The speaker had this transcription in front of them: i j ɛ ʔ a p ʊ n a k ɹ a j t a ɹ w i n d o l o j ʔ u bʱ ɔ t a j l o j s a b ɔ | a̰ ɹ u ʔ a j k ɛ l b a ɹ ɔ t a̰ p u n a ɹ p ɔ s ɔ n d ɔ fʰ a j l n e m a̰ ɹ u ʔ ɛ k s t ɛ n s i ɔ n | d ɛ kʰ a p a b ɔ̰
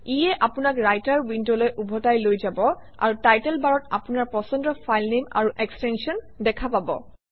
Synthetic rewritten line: i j ɛ ʔ a p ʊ n a k ɹ a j t a ɹ w i n d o l o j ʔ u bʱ ɔ t a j l o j z a b ɔ | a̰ ɹ u t a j t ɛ l b a ɹ ɔ t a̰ p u n a ɹ p ɔ s ɔ n d ɔ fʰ a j l n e m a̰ ɹ u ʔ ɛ k s t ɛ n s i ɔ n | d ɛ kʰ a p a b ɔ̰